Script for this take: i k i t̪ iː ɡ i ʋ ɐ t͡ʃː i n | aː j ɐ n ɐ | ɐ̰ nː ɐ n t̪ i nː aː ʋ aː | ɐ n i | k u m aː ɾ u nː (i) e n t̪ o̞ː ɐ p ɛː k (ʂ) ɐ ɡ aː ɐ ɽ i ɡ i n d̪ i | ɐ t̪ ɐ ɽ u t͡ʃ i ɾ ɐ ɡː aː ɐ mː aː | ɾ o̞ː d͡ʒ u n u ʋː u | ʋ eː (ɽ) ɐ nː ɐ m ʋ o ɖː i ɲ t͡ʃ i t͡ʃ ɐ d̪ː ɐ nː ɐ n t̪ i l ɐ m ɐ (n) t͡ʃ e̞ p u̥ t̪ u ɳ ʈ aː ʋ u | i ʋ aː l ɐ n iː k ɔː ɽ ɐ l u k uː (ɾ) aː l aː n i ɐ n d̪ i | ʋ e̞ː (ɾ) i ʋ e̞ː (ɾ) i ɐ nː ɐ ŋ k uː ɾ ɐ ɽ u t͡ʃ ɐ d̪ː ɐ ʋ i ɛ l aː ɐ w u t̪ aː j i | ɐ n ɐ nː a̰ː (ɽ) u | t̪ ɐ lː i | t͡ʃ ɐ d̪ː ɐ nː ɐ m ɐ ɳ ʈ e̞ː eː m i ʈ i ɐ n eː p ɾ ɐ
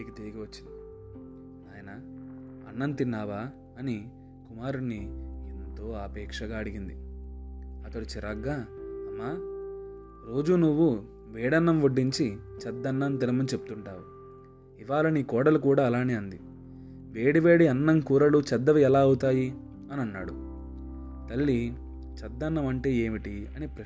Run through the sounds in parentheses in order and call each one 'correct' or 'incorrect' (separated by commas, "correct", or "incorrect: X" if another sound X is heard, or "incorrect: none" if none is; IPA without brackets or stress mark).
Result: correct, correct, correct, correct, incorrect: ɽ, incorrect: ɽ, incorrect: ɽ, correct